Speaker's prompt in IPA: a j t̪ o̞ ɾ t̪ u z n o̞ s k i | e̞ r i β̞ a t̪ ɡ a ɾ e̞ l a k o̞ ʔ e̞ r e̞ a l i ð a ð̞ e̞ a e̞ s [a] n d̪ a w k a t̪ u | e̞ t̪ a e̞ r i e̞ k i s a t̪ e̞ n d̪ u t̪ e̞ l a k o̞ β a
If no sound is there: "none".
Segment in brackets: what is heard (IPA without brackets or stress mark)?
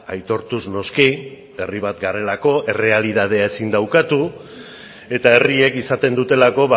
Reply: i